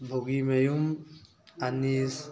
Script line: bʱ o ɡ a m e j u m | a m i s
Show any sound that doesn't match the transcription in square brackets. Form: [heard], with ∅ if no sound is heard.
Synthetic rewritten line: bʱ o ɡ [i] m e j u m | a [n] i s